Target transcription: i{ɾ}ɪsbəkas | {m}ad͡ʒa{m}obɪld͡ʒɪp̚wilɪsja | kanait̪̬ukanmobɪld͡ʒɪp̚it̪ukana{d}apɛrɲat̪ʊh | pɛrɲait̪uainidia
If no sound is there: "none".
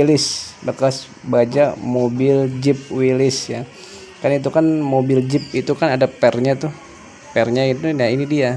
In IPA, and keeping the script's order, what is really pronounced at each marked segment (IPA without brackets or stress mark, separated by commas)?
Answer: l, b, m, d